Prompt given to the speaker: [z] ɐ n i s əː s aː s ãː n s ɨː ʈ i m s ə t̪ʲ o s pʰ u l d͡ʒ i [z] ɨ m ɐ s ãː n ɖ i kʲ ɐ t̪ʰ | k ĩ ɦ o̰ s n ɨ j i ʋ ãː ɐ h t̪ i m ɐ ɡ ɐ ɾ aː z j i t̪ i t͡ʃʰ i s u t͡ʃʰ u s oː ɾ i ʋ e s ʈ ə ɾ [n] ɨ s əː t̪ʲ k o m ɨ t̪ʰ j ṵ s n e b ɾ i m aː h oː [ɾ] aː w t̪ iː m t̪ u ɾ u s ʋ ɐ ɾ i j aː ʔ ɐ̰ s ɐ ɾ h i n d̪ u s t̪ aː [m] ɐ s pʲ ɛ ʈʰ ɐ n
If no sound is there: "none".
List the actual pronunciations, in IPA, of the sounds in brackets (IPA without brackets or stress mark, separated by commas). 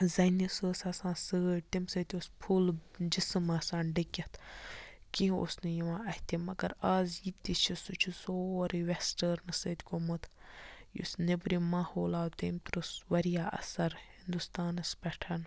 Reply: z, s, n, l, n